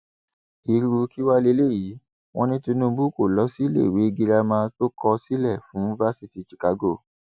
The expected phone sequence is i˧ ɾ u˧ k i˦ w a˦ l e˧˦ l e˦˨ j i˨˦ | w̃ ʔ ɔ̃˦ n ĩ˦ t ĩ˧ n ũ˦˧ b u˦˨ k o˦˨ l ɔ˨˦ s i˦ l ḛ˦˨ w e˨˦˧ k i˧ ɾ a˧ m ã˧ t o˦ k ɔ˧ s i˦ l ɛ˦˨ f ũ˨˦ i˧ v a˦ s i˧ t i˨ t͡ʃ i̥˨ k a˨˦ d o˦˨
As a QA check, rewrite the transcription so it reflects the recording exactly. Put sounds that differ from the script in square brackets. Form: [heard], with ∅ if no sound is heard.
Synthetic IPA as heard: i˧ ɾ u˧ k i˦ w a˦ l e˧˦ l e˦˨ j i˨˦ | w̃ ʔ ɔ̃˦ n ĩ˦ t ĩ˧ n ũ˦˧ b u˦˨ k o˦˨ l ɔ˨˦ s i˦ l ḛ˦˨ w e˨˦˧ [ɡ] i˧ ɾ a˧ m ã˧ t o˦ k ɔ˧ s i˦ l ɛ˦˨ f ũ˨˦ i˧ v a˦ s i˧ t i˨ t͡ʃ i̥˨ k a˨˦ [ɡ] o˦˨